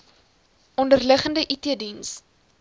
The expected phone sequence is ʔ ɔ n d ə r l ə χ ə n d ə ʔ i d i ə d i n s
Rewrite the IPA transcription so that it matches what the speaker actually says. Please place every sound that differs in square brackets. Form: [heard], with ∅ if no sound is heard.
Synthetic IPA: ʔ ɔ n d ə r l ə χ ə n d ə ʔ i [t] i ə d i n s